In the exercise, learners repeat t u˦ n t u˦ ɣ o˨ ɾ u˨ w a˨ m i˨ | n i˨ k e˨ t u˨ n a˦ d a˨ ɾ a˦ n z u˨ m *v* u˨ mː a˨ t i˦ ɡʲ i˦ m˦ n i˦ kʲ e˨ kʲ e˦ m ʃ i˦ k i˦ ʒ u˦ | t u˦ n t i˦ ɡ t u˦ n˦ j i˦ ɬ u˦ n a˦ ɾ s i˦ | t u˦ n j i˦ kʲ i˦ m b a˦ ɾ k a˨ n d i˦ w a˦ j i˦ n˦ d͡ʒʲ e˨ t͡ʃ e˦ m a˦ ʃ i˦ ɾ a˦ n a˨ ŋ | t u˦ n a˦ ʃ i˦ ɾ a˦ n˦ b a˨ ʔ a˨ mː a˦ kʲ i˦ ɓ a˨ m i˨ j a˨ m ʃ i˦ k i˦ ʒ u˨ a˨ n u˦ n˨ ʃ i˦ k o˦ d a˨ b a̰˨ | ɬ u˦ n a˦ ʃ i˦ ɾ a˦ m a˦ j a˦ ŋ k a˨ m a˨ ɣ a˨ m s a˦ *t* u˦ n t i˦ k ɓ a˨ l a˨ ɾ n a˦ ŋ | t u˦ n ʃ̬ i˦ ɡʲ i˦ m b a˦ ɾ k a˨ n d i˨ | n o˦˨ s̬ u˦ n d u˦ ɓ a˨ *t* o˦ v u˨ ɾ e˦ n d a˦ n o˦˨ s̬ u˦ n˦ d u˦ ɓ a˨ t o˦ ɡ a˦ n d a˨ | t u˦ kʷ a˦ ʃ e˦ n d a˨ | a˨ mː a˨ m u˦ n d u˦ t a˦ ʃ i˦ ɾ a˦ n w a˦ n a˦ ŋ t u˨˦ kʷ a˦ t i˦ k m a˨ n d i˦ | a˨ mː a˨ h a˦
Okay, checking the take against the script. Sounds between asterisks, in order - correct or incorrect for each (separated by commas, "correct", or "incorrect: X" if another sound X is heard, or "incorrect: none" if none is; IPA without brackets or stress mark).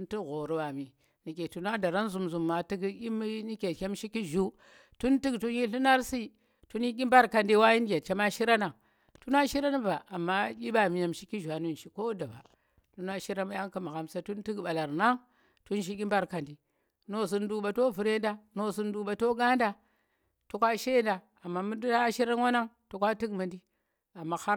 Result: incorrect: z, correct, correct